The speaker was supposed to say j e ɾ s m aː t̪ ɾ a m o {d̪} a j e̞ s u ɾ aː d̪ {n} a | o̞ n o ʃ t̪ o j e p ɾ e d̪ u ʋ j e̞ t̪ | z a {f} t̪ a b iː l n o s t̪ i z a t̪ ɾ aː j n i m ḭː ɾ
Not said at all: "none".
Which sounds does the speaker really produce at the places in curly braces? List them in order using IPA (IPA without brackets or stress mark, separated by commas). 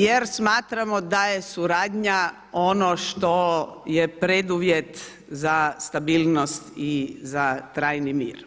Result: d̪, ɲ, s